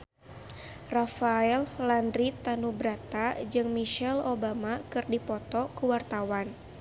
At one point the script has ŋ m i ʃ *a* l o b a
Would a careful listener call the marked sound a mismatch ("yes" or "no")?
yes